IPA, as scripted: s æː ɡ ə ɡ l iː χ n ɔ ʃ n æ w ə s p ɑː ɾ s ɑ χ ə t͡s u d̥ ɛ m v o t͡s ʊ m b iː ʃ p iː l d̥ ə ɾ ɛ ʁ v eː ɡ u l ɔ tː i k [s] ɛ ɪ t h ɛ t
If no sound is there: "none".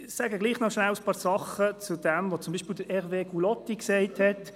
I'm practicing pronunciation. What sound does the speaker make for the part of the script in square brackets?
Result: s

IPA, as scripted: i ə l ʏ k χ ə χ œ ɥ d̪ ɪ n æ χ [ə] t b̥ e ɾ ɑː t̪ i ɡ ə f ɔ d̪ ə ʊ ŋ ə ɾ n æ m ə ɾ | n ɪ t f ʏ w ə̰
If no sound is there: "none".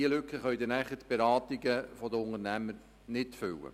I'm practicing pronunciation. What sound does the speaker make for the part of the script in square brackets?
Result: ə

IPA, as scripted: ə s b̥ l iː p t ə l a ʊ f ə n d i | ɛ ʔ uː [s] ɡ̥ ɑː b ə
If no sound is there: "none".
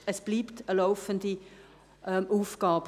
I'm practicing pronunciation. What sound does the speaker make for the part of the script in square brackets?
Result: f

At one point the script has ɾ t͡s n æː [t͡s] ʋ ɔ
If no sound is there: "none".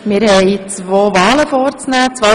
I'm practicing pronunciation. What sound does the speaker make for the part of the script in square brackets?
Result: t͡s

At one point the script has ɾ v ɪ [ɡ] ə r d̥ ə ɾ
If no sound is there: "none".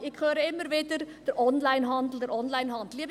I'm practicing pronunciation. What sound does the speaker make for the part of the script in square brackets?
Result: d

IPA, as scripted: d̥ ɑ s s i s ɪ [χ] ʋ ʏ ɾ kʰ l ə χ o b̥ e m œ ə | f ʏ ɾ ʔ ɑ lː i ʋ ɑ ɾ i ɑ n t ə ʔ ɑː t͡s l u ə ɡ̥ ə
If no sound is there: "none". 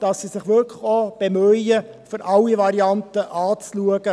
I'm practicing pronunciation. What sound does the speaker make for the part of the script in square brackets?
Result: χ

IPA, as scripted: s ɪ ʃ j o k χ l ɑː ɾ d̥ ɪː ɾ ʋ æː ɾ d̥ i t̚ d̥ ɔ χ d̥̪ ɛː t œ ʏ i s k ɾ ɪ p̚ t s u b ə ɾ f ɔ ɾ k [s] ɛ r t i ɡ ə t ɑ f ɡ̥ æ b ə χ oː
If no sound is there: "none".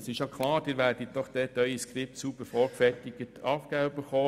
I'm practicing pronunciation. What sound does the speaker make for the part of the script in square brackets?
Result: f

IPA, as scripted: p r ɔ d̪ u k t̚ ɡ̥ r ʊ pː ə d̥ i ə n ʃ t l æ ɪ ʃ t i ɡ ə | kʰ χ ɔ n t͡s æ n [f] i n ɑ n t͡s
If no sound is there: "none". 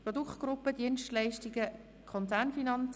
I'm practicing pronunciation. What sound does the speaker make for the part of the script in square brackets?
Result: f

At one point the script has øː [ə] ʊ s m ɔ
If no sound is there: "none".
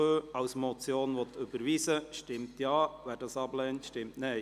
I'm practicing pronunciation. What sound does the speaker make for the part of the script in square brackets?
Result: ɑ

